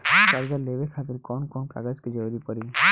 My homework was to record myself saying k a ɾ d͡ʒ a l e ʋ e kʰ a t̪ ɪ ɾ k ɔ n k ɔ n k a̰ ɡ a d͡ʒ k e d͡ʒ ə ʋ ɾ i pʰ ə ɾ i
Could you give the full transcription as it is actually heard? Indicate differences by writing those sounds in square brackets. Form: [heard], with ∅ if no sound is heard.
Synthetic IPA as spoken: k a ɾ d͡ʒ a l e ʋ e kʰ a t̪ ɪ ɾ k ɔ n k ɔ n k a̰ ɡ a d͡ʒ k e d͡ʒ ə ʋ ɾ i [p] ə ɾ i